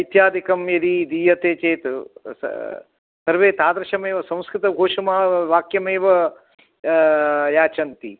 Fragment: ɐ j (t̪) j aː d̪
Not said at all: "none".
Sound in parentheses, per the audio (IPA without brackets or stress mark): t̪